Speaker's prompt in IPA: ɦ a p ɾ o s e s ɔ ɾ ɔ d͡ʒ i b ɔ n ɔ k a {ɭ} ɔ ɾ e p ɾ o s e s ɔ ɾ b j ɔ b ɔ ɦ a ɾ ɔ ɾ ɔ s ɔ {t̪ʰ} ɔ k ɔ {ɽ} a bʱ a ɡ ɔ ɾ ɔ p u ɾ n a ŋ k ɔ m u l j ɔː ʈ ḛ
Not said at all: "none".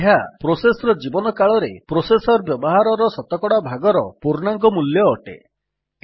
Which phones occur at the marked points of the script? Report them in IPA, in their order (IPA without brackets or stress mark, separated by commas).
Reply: ɭ, t̪, ɽ